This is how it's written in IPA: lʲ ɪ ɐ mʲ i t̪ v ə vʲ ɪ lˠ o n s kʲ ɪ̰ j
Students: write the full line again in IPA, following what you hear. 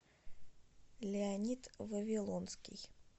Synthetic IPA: lʲ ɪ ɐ nʲ i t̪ v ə vʲ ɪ lˠ o n s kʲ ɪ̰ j

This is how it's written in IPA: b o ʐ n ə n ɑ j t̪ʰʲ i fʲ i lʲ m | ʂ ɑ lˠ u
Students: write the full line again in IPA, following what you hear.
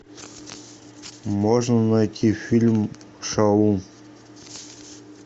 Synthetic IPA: m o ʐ n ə n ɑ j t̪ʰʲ i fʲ i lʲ m | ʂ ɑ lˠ u

